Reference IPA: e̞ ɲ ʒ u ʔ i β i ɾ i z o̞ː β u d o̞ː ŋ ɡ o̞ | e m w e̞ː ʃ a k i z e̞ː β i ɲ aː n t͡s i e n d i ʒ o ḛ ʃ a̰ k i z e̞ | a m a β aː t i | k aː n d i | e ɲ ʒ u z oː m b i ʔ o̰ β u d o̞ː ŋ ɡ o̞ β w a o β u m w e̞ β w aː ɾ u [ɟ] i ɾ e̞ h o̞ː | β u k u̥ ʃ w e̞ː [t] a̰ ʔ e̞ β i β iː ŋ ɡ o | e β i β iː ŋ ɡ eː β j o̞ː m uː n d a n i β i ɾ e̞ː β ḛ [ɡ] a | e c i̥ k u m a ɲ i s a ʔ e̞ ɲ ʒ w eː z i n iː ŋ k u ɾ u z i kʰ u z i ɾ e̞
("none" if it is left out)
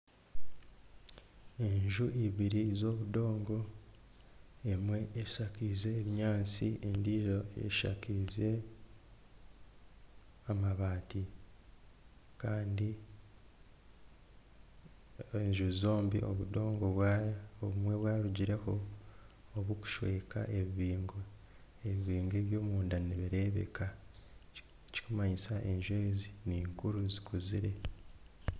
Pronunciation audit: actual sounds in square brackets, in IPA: ɟ, k, k

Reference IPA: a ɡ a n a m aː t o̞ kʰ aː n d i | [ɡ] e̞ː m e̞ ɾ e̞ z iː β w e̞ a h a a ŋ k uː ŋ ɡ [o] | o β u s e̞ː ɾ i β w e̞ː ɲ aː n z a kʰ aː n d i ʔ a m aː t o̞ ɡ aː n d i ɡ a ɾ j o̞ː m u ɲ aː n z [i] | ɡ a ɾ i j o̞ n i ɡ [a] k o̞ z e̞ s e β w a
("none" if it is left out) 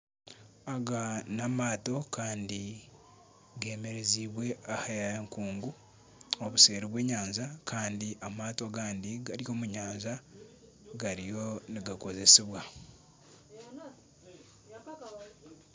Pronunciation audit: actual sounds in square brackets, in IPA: ɡ, u, a, a

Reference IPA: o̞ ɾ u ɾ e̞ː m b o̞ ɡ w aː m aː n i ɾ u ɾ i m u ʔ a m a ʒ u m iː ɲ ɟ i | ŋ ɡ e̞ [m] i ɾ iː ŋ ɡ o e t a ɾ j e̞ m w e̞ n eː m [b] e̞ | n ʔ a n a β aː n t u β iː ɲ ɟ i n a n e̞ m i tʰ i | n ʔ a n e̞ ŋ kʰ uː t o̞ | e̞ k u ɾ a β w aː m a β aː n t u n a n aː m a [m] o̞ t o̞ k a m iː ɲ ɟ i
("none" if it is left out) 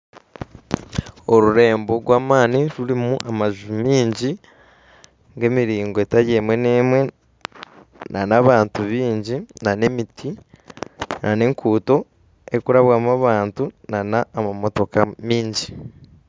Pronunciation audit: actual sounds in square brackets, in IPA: m, w, m

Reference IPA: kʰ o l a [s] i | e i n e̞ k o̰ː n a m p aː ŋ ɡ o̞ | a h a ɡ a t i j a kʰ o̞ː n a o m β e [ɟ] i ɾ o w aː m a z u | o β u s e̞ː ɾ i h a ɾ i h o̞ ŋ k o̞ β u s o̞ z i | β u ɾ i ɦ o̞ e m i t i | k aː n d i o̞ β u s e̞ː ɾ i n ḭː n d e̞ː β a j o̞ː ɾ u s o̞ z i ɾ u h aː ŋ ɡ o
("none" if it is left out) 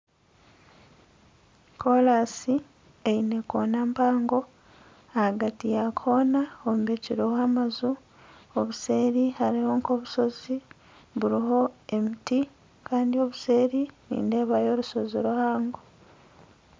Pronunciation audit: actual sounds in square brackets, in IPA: s, c

